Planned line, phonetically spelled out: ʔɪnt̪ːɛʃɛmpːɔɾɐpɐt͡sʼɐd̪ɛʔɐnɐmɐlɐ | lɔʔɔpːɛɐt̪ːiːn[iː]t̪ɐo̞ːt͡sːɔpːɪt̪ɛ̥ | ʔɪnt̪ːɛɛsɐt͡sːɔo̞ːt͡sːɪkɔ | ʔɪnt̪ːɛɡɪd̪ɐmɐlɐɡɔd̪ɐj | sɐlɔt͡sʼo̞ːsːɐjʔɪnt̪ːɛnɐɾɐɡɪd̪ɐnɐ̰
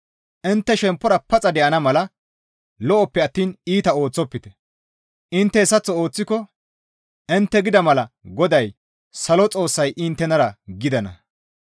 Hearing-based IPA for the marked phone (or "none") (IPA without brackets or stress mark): iː